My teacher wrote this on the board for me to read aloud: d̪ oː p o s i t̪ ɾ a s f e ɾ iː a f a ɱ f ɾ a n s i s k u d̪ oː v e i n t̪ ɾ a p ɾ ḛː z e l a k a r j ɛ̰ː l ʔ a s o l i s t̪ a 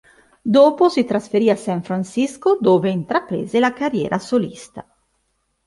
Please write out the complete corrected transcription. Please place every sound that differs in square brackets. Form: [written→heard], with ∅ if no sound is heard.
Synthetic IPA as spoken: d̪ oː p o s i t̪ ɾ a s f e ɾ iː a [f→s] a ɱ f ɾ a n s i s k [u→o] d̪ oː v e i n t̪ ɾ a p ɾ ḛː z e l a k a r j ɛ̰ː [l→ɾ] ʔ a s o l i s t̪ a